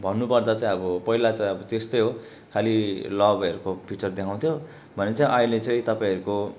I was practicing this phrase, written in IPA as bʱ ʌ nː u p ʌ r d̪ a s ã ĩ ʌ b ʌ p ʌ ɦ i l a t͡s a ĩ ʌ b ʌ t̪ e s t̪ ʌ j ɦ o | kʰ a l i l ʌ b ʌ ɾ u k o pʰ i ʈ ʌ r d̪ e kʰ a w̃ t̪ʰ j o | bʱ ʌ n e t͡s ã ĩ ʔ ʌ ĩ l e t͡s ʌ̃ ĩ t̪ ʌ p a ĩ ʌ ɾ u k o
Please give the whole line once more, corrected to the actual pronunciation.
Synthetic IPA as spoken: bʱ ʌ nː u p ʌ r d̪ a t͡s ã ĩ ʌ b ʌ p ʌ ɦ i l a t͡s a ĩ ʌ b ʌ t̪ e s t̪ ʌ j ɦ o | kʰ a l i l ʌ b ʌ ɾ u k o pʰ i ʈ ʌ r d̪ e kʰ a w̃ t̪ʰ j o | bʱ ʌ n e t͡s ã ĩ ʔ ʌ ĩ l e t͡s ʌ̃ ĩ t̪ ʌ p a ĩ ʌ ɾ u k o

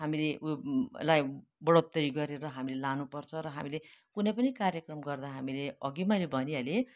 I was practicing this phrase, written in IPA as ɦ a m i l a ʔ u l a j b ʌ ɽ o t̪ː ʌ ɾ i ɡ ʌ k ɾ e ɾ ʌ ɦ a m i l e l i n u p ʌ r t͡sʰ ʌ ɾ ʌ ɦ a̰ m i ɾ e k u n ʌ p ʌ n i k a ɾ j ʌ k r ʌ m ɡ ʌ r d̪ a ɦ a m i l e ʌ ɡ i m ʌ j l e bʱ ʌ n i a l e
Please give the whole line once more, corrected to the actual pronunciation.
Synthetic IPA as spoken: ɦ a m i l e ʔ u l a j b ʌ ɽ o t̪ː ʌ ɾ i ɡ ʌ ɾ e ɾ ʌ ɦ a m i l e l a n u p ʌ r t͡sʰ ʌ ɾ ʌ ɦ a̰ m i l e k u n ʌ p ʌ n i k a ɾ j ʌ k r ʌ m ɡ ʌ r d̪ a ɦ a m i l e ʌ ɡ i m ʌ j l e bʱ ʌ n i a l e

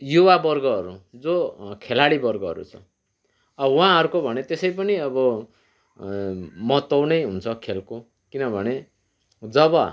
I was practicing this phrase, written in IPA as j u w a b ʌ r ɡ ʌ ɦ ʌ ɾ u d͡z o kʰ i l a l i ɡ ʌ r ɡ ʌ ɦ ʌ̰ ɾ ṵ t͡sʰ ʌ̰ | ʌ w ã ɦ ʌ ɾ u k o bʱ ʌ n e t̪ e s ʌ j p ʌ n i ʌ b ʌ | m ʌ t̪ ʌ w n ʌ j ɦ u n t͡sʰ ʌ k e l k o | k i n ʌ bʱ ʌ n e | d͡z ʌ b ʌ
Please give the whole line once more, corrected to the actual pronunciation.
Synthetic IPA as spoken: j u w a b ʌ r ɡ ʌ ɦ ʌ ɾ u d͡z o kʰ e l a ɽ i b ʌ r ɡ ʌ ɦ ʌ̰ ɾ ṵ t͡sʰ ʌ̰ | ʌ w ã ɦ ʌ ɾ u k o bʱ ʌ n e t̪ e s ʌ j p ʌ n i ʌ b ʌ | m ʌ t̪ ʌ w n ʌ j ɦ u n t͡sʰ ʌ kʰ e l k o | k i n ʌ bʱ ʌ n e | d͡z ʌ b ʌ

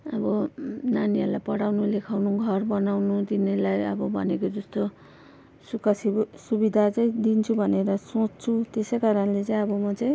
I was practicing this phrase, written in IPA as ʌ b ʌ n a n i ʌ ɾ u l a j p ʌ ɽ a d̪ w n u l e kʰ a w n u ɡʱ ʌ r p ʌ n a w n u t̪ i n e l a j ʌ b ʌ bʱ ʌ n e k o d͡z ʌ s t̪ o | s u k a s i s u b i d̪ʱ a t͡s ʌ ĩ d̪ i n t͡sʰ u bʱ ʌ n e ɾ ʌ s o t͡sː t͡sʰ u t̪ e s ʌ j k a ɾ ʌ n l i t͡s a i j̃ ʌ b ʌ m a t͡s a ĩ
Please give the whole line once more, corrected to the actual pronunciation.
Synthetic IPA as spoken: ʌ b ʌ n a n i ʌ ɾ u l a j p ʌ ɽ a w n u l e kʰ a w n u ɡʱ ʌ r b ʌ n a w n u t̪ i n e l a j ʌ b ʌ bʱ ʌ n e k o d͡z ʌ s t̪ o | s u k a s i s u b i d̪ʱ a t͡s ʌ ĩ d̪ i n t͡sʰ u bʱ ʌ n e ɾ ʌ s o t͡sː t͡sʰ u t̪ e s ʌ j k a ɾ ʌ n l e t͡s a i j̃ ʌ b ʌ m ʌ t͡s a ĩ

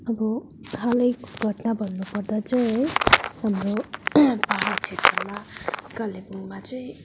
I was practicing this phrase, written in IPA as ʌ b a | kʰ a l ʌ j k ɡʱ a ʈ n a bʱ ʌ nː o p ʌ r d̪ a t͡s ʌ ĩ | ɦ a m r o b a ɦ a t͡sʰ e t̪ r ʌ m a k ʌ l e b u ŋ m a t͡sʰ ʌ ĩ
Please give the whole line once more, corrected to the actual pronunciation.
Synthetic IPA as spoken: ʌ b ʌ | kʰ a l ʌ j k ɡʱ ʌ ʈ n a bʱ ʌ nː u p ʌ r d̪ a t͡s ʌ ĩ | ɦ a m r o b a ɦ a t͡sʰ e t̪ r ʌ m a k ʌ l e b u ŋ m a t͡s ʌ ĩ

